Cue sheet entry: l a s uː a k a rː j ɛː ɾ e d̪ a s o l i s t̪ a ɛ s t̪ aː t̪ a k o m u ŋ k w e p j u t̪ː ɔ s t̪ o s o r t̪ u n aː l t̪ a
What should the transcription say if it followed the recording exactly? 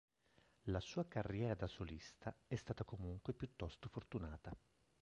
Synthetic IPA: l a s uː a k a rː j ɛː ɾ a d̪ a s o l i s t̪ a ɛ s t̪ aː t̪ a k o m u ŋ k w e p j u t̪ː ɔ s t̪ o f o r t̪ u n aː t̪ a